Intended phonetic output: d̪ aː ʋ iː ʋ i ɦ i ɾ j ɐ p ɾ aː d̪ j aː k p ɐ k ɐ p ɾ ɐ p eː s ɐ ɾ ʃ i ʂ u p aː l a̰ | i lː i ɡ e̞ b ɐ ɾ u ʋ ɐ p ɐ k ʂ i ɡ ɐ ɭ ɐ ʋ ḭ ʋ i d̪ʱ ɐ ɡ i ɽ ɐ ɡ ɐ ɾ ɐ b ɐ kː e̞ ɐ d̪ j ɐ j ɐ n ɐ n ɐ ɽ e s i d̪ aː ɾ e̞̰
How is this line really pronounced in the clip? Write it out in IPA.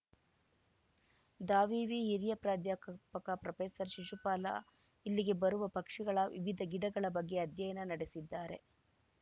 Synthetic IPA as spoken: d̪ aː ʋ iː ʋ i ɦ i ɾ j ɐ p ɾ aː d̪ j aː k p ɐ k ɐ p ɾ ɐ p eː s ɐ ɾ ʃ i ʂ u p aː l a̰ | i lː i ɡ e̞ b ɐ ɾ u ʋ ɐ p ɐ k ʂ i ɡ ɐ ɭ ɐ ʋ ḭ ʋ i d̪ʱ ɐ ɡ i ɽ ɐ ɡ ɐ ɭ ɐ b ɐ ɡː e̞ ɐ d̪ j ɐ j ɐ n ɐ n ɐ ɽ e s i d̪ː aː ɾ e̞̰